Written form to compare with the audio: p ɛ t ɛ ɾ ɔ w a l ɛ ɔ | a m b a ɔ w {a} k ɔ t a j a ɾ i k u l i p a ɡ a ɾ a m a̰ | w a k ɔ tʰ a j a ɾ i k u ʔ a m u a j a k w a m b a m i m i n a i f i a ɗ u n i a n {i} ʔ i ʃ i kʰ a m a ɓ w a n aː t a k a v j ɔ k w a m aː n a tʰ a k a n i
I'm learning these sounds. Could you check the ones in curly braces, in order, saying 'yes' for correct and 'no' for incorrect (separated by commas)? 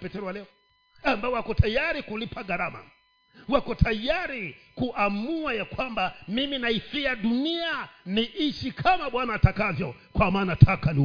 yes, yes